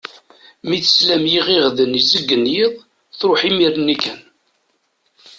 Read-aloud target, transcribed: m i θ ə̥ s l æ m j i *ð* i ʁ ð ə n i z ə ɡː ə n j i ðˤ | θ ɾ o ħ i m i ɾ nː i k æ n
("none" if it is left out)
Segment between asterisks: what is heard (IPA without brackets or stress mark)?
ʁ